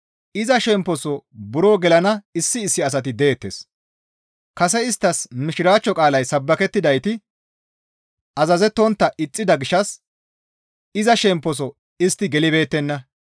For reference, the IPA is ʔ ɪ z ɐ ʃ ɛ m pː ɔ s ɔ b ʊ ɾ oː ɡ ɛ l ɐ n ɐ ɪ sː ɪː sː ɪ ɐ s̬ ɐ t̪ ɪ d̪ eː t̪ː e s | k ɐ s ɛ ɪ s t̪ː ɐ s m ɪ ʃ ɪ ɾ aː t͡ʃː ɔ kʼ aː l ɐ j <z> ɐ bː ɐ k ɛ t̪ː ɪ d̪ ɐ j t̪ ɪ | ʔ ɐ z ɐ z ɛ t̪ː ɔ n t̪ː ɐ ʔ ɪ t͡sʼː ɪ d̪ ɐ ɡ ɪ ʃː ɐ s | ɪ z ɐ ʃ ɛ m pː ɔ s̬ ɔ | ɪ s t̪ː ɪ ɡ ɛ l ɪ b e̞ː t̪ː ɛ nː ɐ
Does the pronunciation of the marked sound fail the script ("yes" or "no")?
yes